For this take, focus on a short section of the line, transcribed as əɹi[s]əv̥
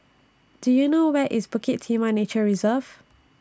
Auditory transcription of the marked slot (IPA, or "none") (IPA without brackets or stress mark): z